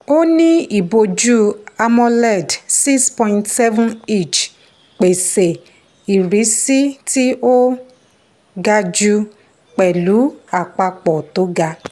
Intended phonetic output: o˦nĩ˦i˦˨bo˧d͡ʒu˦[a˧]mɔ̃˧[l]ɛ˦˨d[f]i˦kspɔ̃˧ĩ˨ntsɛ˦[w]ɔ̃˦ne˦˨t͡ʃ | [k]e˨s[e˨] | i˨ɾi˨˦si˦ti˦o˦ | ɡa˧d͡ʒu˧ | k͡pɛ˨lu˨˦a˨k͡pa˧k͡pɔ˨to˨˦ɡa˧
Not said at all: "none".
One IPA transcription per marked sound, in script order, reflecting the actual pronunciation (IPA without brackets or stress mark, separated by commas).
a˧, l, s, v, k͡p, e˨